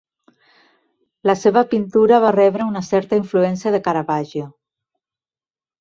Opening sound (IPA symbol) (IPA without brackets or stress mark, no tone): l